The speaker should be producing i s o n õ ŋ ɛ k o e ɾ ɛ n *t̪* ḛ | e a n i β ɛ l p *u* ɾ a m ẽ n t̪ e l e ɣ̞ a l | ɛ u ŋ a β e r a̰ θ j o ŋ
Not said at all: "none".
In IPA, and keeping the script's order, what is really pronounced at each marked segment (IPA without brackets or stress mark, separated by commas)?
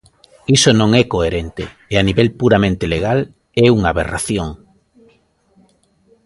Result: t̪, u